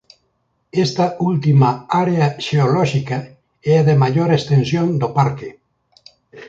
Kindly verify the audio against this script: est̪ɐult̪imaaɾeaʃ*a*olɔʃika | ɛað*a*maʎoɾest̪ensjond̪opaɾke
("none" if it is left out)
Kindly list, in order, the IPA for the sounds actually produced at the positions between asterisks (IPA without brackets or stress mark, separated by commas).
e, e